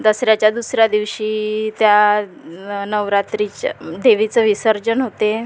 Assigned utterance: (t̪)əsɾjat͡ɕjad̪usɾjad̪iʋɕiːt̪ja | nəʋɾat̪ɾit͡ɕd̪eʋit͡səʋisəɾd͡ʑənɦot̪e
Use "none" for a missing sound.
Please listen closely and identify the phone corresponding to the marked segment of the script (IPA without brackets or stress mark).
d̪